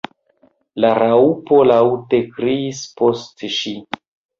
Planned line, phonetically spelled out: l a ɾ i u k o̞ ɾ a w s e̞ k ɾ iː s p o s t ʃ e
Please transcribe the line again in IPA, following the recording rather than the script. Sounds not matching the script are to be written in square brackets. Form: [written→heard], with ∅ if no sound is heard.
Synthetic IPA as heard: l a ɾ [i→a] u [k→p] o̞ [ɾ→l] a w [s→t] e̞ k ɾ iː s p o s t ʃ [e→i]